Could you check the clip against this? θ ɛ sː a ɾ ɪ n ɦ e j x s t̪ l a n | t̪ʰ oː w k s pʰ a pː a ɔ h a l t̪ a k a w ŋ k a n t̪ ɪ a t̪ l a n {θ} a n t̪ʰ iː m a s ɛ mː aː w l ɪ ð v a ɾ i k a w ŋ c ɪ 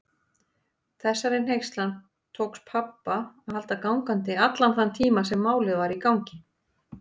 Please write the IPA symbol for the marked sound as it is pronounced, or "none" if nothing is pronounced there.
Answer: θ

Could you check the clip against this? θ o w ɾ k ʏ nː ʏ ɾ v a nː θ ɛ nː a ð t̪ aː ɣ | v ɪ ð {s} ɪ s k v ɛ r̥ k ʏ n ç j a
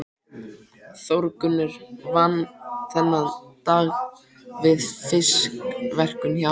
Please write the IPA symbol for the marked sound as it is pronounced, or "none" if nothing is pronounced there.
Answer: f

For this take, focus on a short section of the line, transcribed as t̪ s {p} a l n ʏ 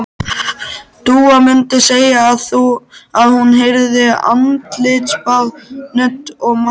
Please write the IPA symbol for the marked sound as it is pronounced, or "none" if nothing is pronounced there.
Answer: p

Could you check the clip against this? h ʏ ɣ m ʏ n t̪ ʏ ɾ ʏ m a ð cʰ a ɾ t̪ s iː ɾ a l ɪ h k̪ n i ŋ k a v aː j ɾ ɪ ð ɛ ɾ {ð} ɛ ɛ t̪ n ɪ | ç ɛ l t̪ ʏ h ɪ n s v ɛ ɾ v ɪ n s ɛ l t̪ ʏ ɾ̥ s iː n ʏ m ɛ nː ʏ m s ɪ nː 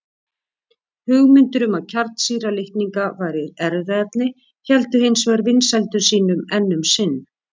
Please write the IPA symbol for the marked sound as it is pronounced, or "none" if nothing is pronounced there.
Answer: ð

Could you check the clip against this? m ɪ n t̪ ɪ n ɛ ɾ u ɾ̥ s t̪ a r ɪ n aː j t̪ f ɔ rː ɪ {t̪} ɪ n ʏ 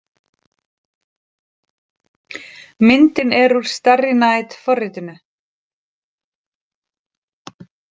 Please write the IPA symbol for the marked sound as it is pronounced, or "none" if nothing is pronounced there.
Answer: t̪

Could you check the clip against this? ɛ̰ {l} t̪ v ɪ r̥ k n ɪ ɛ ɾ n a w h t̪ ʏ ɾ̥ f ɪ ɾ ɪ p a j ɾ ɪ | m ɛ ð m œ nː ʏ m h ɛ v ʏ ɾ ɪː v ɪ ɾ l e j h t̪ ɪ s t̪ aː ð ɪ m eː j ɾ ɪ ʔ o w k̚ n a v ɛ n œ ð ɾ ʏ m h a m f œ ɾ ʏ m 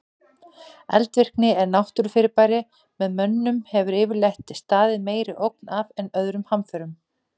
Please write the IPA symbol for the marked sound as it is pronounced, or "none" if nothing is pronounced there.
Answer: l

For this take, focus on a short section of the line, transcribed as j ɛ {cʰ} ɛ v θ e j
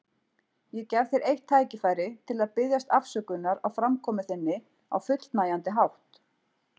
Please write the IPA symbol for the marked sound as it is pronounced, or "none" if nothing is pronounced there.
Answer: c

